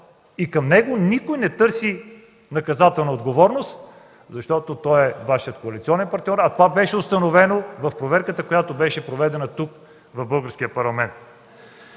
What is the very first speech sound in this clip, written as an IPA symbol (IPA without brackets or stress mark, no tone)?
i